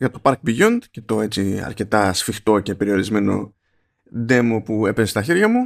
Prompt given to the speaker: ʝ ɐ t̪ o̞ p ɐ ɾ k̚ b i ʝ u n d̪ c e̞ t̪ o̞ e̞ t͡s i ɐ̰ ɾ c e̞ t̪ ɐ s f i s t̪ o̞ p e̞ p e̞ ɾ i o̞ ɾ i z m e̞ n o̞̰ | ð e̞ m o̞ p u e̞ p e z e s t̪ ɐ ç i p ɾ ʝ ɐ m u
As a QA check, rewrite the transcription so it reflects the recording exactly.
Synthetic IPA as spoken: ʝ ɐ t̪ o̞ p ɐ ɾ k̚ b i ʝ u n d̪ c e̞ t̪ o̞ e̞ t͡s i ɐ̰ ɾ c e̞ t̪ ɐ s f i x t̪ o̞ c e̞ p e̞ ɾ i o̞ ɾ i z m e̞ n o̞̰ | ð e̞ m o̞ p u e̞ p e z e s t̪ ɐ ç i ɾ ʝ ɐ m u